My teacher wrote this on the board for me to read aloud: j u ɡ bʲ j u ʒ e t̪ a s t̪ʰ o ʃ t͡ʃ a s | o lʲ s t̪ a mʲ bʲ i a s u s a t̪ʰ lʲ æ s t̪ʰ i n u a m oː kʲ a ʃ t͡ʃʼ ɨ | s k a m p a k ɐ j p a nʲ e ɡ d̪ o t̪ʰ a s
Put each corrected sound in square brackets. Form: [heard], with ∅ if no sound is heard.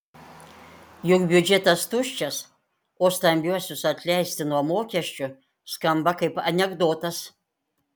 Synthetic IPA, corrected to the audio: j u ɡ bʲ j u [d͡ʒ] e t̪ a s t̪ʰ [u] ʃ t͡ʃ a s | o [∅] s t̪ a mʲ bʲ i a s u s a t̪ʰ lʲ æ s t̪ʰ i n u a m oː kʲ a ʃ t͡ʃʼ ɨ | s k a m [b] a k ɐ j p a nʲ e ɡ d̪ o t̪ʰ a s